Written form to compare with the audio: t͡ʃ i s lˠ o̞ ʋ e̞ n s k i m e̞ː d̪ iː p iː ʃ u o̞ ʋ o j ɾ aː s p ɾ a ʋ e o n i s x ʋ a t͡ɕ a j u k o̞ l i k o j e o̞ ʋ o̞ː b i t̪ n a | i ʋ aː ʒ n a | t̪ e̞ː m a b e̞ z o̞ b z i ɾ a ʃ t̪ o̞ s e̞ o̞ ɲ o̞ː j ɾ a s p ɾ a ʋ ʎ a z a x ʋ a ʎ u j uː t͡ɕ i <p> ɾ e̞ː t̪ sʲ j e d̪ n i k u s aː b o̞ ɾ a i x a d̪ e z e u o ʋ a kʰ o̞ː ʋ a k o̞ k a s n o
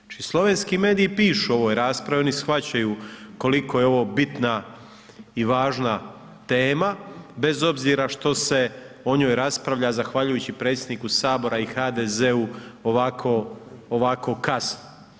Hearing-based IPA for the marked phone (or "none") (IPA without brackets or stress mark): p